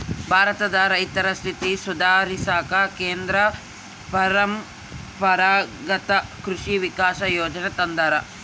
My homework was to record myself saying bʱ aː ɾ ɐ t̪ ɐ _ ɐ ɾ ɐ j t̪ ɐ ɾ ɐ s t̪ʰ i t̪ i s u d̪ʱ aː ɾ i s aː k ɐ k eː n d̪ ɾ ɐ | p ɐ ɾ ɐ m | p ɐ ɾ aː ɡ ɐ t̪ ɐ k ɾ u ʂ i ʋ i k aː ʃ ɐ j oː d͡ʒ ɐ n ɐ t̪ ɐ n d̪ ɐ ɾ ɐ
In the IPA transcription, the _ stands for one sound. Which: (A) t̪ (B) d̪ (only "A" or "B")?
B